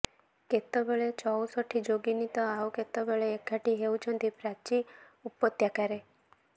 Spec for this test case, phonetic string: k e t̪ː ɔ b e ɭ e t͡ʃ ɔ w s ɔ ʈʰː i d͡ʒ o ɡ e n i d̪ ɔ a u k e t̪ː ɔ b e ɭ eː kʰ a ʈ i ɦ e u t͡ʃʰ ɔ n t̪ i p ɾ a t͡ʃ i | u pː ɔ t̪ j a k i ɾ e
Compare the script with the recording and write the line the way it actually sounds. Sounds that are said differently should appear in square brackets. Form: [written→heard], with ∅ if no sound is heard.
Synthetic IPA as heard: k e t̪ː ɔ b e ɭ e t͡ʃ ɔ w s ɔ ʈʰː i d͡ʒ o ɡ [e→i] n i [d̪→t̪] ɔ a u k e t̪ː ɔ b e ɭ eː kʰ a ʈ i ɦ e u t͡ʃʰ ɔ n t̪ i p ɾ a t͡ʃ i | u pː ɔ t̪ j a k [i→a] ɾ e